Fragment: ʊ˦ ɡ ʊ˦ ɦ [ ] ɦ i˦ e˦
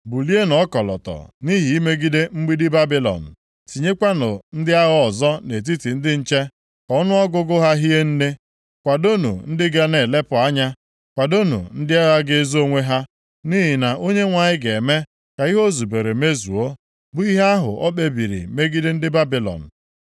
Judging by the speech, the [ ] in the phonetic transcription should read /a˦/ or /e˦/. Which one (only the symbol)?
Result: a˦